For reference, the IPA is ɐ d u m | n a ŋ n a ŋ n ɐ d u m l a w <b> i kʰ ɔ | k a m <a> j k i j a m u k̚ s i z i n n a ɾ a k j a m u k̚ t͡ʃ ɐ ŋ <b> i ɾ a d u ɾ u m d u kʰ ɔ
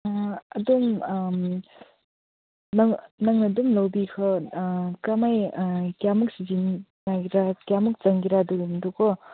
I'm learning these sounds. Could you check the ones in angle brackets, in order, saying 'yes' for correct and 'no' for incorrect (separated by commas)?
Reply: yes, yes, no